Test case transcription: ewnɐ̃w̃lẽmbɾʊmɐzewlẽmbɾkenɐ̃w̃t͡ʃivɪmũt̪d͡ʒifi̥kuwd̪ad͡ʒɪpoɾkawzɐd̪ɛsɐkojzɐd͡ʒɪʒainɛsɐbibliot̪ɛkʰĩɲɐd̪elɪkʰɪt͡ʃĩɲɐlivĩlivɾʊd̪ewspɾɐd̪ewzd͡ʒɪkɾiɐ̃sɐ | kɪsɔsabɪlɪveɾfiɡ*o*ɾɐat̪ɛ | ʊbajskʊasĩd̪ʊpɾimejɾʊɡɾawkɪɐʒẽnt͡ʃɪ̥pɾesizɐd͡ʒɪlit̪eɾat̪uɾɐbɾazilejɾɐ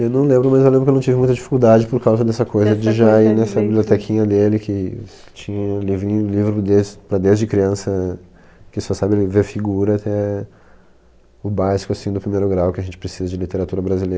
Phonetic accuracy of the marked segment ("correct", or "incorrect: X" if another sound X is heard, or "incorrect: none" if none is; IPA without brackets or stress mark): incorrect: u